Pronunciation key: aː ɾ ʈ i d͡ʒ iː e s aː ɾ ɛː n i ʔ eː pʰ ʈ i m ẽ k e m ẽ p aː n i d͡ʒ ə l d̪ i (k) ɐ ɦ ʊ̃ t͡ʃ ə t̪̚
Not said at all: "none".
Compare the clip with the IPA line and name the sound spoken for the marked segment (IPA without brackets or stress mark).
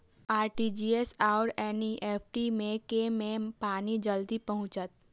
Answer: p